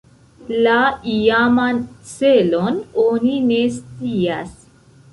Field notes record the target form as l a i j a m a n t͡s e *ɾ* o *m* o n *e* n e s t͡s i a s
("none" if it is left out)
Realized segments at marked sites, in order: l, n, i

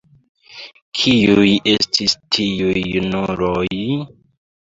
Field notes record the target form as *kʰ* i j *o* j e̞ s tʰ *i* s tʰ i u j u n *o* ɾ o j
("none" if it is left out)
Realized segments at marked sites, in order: kʰ, u, i, u

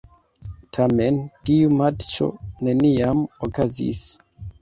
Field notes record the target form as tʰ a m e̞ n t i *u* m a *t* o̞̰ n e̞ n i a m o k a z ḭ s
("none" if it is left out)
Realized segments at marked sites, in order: u, t͡ʃ

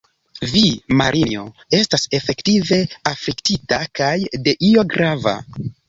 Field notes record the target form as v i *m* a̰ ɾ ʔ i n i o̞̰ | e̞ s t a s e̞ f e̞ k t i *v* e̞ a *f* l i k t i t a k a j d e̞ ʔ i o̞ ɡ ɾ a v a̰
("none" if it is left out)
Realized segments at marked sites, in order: m, v, f

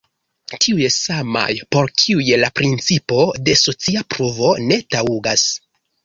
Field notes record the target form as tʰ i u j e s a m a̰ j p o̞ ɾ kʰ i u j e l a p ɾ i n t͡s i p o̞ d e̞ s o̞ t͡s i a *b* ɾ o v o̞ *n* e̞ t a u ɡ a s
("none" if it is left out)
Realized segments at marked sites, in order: p, n

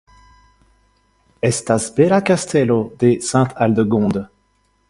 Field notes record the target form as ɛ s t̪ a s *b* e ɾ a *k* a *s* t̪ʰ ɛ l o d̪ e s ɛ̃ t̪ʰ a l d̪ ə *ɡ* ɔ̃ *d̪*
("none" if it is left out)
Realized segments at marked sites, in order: b, k, s, ɡ, d̪

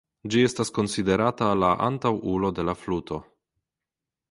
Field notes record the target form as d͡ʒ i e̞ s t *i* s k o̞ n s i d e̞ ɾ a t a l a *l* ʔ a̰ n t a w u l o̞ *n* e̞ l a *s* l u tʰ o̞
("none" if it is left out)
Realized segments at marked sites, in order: a, none, d, f

